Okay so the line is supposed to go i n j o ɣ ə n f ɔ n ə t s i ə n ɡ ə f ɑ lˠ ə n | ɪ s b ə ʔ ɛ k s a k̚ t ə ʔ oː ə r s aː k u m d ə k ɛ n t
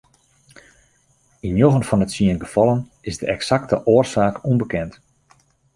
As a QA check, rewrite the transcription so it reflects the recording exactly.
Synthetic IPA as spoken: i n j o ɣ ə n f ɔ n ə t s i ə n ɡ ə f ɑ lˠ ə n | ɪ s d ə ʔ ɛ k s a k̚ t ə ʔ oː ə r s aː k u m b ə k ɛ n t